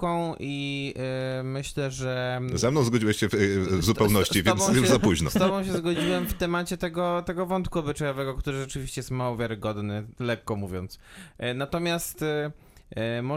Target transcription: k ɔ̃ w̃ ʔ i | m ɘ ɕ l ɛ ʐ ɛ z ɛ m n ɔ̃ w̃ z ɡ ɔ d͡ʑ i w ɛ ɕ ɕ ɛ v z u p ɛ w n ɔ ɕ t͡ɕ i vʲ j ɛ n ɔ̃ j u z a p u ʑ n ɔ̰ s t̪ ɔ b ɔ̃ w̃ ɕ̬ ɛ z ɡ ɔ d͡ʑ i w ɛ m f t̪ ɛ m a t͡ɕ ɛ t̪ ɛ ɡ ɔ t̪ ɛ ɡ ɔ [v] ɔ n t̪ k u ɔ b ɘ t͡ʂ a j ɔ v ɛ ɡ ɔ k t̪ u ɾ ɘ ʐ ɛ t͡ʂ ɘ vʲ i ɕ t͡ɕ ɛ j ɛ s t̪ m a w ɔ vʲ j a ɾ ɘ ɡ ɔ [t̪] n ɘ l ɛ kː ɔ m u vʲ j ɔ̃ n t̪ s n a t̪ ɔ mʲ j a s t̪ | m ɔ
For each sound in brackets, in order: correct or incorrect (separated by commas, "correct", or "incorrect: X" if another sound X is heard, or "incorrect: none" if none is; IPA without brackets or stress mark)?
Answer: correct, incorrect: d̪